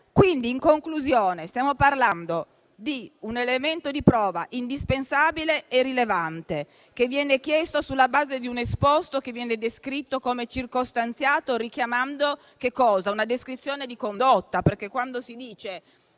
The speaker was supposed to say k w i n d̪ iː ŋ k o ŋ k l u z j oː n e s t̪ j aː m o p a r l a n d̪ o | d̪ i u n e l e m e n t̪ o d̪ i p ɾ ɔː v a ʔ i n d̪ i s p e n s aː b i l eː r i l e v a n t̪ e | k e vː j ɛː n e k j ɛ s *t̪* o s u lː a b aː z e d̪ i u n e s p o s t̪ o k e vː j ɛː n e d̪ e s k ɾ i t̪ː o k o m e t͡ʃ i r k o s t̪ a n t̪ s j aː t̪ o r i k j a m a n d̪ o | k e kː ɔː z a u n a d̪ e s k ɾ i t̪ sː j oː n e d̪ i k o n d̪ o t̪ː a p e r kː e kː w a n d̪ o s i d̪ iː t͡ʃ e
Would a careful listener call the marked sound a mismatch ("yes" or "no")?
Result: no